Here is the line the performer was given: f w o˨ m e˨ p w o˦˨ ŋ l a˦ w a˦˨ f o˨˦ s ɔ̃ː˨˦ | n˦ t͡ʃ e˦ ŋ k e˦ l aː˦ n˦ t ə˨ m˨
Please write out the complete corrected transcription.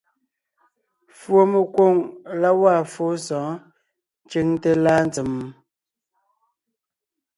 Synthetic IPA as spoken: f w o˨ m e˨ k w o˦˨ ŋ l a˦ w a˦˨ f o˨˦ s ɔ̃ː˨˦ | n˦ t͡ʃ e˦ ŋ t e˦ l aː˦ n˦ t͡s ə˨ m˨